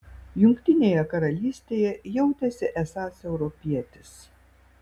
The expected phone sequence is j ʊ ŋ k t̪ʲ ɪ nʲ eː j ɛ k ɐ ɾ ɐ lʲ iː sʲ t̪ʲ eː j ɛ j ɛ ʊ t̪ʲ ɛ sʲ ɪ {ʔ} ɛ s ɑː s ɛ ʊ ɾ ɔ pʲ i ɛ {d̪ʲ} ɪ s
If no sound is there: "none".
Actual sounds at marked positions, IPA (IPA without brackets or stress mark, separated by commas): ʔ, t̪ʲ